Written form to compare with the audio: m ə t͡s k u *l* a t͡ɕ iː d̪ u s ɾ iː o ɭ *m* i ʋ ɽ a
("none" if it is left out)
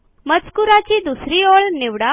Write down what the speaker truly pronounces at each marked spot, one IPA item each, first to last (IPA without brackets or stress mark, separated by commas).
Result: ɾ, n